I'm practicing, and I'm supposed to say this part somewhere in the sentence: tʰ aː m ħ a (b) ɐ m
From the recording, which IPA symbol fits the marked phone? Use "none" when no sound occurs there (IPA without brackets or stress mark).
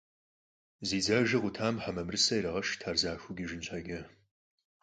m